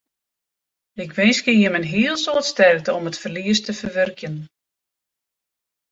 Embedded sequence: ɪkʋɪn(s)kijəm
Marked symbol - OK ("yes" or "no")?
yes